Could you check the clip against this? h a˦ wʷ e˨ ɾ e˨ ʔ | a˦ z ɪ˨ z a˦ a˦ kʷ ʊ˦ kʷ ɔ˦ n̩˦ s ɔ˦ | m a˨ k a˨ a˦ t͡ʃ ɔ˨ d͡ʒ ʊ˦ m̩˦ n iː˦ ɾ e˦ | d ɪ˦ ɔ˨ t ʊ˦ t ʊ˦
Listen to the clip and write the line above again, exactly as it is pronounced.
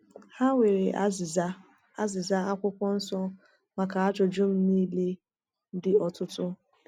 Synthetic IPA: h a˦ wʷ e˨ ɾ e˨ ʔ | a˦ z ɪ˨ z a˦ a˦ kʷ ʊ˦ kʷ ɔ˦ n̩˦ s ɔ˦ | m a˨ k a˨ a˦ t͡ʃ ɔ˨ d͡ʒ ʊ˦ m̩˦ n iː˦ l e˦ | d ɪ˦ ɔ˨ t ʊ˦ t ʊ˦